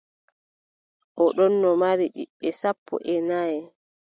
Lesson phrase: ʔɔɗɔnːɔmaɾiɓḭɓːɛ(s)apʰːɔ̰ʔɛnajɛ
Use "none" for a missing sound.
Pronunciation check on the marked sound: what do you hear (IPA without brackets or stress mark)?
s